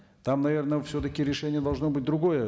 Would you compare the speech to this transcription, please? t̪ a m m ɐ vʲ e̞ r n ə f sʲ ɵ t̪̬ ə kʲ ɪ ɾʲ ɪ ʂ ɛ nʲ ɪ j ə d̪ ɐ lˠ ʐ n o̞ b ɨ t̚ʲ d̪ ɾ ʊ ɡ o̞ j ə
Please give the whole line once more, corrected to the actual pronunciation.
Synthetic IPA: t̪ a m n ɐ vʲ e̞ r n ə f sʲ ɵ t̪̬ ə kʲ ɪ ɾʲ ɪ ʂ ɛ nʲ ɪ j ə d̪ ɐ lˠ ʐ n o̞ b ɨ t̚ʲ d̪ ɾ ʊ ɡ o̞ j ə